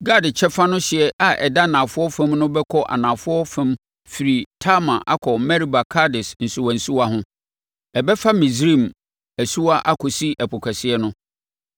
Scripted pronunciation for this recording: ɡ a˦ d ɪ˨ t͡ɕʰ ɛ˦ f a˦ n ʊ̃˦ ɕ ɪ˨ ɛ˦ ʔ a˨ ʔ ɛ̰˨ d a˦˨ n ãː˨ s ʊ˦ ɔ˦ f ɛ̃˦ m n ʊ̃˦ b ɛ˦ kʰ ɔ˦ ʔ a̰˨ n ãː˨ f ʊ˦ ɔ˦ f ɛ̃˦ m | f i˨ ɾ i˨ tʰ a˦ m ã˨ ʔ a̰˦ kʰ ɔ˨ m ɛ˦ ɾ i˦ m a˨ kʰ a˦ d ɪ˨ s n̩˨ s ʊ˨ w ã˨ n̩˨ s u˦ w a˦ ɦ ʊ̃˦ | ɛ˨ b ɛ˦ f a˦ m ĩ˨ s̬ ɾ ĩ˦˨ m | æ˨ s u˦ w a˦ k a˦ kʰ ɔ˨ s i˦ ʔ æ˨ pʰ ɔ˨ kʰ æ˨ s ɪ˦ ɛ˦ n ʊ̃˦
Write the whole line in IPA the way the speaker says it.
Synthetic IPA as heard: ɡ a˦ d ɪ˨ t͡ɕʰ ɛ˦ f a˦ n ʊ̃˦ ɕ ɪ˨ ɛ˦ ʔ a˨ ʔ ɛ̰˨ d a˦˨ n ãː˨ f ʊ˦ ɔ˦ f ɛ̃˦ m n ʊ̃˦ b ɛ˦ kʰ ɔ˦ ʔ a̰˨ n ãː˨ f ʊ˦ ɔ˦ f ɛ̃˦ m | f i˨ ɾ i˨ tʰ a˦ m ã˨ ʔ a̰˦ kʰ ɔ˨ m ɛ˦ ɾ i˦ b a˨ kʰ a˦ d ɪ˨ s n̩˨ s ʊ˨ w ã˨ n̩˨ s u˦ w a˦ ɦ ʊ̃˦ | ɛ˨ b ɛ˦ f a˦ m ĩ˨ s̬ ɾ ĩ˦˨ m | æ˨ s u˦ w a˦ ʔ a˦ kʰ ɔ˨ s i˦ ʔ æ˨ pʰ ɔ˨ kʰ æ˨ s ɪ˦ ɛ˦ n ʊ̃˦